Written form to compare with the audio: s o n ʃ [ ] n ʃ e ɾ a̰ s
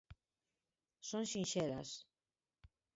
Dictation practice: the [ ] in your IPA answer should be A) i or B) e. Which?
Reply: A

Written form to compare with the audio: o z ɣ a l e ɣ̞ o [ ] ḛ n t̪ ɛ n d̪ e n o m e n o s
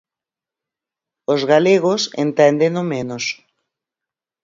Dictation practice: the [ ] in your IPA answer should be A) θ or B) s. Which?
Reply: B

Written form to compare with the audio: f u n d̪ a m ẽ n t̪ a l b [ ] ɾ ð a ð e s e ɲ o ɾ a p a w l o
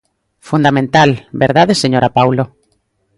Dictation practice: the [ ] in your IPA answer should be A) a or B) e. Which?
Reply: B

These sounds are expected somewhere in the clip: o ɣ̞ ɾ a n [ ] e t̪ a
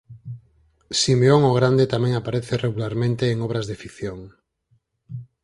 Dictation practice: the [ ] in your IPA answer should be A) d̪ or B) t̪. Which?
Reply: A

